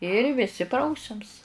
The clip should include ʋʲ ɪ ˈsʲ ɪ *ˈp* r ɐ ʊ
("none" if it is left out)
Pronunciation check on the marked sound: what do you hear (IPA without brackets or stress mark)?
p